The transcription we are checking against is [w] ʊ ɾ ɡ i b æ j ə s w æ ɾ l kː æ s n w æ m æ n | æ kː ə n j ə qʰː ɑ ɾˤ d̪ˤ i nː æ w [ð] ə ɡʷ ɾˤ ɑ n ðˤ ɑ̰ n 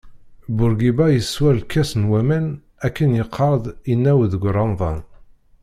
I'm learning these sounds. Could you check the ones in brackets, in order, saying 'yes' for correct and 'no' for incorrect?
no, yes

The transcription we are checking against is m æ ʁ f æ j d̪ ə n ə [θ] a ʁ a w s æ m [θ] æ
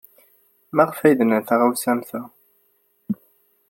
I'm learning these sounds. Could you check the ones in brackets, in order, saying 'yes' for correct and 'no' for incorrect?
yes, yes

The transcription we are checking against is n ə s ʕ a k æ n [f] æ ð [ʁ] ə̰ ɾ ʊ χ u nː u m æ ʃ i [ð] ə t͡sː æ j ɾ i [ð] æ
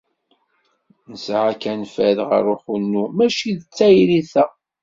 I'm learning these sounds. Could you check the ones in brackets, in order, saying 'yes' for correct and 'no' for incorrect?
yes, yes, yes, no

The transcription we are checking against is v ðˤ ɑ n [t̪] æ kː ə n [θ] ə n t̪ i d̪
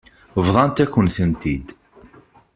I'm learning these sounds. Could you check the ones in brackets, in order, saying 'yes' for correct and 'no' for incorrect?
yes, yes

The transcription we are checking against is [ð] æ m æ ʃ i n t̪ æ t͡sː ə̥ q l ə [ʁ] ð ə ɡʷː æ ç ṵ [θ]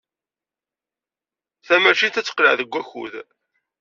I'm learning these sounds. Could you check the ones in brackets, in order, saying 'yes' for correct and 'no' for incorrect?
no, no, no

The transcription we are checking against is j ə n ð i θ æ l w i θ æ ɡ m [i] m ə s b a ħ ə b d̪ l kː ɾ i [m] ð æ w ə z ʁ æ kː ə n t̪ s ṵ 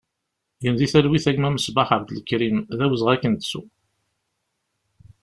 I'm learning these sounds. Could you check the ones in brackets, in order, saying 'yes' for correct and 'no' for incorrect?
no, yes

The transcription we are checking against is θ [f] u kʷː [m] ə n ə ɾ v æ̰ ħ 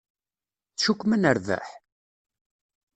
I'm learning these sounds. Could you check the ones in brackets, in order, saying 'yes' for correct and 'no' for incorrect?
no, yes

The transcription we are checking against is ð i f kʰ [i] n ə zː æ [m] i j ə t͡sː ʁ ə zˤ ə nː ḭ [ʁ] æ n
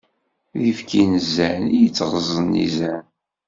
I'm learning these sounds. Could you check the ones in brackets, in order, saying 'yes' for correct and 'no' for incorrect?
yes, no, no

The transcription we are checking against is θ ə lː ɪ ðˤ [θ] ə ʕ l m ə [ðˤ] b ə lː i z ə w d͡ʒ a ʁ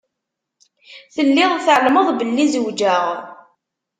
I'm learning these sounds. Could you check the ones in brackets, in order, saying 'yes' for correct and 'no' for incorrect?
yes, yes

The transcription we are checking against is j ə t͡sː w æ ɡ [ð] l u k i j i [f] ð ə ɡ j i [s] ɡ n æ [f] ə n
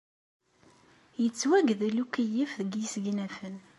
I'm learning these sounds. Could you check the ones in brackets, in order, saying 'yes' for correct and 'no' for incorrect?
yes, yes, yes, yes

